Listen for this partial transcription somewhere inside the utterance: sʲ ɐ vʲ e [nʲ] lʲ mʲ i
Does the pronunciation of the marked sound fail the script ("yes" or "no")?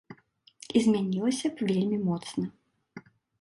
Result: yes